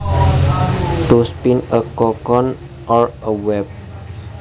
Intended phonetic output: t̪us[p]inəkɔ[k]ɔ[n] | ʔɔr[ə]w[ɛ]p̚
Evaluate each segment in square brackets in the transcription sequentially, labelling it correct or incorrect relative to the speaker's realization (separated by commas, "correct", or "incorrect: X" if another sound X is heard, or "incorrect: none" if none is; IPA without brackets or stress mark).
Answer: correct, correct, correct, correct, correct